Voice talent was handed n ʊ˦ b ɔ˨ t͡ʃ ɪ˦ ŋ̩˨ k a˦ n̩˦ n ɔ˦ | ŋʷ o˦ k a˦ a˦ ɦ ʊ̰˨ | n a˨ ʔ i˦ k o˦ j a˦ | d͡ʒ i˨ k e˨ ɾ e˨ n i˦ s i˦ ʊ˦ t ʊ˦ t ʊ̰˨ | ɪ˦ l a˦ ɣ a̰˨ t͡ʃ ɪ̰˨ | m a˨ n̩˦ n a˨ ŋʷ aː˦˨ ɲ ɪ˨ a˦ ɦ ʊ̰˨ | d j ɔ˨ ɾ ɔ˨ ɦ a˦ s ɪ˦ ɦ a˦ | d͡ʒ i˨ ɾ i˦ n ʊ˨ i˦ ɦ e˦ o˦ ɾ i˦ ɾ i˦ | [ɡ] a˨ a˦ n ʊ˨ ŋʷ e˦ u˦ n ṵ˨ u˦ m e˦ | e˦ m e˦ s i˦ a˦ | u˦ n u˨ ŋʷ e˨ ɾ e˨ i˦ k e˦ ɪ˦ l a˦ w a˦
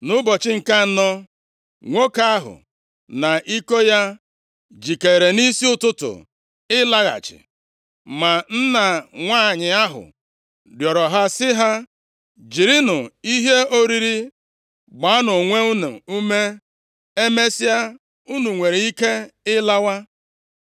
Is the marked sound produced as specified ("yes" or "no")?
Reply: no